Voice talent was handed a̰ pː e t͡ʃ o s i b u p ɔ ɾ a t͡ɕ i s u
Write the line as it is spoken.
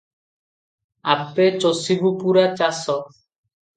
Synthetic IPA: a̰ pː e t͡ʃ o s i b u p u ɾ a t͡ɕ a s ɔ